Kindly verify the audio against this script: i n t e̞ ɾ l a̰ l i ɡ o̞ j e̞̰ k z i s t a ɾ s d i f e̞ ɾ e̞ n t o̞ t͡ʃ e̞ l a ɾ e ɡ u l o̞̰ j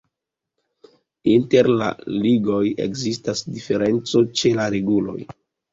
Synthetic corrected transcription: i n t e̞ ɾ l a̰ l i ɡ o̞ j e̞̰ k z i s t a s d i f e̞ ɾ e̞ n t͡s o̞ t͡ʃ e̞ l a ɾ e ɡ u l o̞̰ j